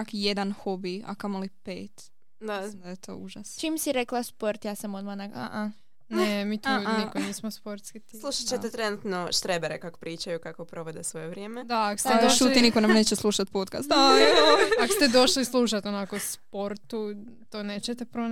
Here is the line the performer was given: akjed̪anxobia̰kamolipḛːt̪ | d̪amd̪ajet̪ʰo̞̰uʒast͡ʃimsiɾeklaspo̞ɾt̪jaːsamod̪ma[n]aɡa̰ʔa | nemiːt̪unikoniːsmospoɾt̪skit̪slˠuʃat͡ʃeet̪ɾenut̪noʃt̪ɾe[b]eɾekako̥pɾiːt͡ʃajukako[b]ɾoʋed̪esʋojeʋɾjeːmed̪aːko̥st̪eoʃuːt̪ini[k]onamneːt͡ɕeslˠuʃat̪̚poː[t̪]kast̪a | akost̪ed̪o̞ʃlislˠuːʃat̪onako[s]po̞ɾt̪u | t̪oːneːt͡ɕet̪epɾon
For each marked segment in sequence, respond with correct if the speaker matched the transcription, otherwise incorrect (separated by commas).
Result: correct, correct, incorrect, correct, correct, correct